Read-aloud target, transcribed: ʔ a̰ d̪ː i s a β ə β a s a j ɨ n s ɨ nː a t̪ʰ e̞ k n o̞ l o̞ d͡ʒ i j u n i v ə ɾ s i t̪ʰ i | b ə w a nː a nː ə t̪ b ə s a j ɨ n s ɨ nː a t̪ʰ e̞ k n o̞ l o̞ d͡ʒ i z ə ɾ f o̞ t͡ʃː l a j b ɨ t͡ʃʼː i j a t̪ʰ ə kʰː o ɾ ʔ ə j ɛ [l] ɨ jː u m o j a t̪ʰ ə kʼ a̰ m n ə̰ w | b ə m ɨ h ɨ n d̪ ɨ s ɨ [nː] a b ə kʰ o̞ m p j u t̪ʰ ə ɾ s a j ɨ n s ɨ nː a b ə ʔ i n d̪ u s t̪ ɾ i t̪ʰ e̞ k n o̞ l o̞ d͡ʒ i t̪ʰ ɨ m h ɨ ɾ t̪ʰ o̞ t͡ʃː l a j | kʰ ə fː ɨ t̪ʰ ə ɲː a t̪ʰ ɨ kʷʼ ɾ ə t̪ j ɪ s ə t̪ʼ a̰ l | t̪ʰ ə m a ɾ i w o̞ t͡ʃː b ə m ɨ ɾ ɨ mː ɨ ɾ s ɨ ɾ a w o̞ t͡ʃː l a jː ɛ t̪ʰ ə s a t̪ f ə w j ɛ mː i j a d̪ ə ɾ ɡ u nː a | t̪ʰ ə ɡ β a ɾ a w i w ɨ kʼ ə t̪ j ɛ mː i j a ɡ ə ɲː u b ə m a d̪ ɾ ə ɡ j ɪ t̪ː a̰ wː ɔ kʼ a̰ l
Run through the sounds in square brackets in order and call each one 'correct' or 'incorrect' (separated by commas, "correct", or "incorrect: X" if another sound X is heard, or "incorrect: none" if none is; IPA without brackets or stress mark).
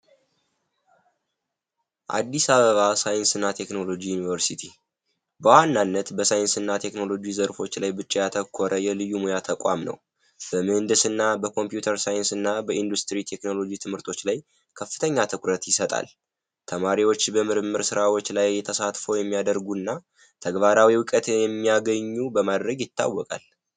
correct, correct